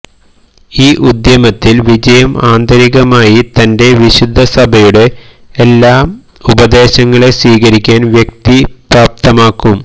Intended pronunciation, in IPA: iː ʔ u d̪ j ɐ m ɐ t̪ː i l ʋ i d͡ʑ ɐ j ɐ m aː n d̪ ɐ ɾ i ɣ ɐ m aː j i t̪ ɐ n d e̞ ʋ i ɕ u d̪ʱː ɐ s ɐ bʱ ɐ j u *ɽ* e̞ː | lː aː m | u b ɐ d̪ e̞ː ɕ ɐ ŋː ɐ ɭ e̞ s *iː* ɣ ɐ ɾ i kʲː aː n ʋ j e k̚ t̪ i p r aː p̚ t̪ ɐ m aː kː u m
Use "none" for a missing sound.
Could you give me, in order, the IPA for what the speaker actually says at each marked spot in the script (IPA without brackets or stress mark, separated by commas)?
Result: ɽ, iː